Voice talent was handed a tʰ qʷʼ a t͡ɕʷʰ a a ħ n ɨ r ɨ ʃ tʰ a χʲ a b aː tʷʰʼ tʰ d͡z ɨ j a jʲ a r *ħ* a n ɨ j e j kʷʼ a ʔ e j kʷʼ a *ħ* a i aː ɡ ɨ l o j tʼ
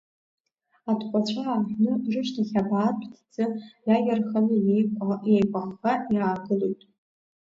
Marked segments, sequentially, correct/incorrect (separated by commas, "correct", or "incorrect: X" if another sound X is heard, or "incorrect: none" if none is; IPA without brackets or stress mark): incorrect: χ, incorrect: χ